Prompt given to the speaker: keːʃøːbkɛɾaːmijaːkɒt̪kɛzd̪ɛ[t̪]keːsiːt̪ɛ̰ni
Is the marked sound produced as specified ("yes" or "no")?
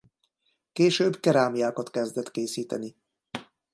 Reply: yes